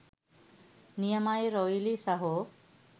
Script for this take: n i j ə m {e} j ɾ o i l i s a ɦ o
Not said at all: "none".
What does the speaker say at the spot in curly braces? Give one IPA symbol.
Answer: a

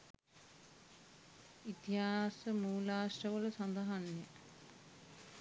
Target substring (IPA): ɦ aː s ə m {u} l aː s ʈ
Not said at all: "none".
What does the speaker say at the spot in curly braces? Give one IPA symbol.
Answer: uː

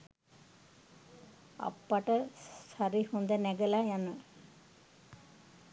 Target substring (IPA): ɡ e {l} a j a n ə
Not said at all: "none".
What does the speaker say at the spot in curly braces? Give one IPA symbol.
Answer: l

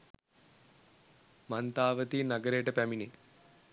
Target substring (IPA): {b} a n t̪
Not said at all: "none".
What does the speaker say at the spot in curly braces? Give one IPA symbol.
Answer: m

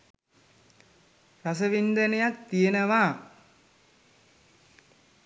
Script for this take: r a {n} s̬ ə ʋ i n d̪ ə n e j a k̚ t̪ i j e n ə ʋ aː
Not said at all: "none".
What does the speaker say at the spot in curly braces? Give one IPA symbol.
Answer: none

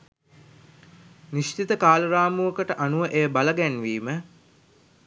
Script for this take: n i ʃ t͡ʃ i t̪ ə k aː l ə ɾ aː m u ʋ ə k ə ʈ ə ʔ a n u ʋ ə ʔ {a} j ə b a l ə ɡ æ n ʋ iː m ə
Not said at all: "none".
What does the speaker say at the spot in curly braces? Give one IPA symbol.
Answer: e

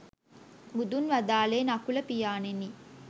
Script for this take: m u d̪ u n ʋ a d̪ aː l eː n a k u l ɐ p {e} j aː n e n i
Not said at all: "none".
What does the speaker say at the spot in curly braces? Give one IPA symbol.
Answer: i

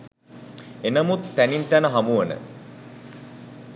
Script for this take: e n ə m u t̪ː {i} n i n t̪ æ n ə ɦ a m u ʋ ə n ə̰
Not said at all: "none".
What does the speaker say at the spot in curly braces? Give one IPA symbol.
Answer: æ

